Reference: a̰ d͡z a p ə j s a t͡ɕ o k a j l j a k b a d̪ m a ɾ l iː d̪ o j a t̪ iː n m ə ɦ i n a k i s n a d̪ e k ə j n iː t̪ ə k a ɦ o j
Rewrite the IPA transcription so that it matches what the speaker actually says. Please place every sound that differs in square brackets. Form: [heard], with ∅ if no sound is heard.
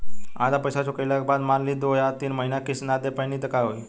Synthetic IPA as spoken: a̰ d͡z a p ə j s a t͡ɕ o k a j l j a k b a d̪ m a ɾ l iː d̪ o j a t̪ iː n m ə ɦ i n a k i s n a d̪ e [p] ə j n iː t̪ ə k a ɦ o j